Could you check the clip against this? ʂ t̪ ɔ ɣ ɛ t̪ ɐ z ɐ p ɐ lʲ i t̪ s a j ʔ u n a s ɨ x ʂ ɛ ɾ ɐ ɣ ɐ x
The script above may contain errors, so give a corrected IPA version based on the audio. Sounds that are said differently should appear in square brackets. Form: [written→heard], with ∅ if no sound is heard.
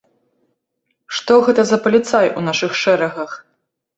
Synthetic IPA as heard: ʂ t̪ ɔ ɣ ɛ t̪ ɐ z ɐ p ɐ lʲ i t̪ s a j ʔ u n a [s→ʂ] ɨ x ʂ ɛ ɾ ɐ ɣ ɐ x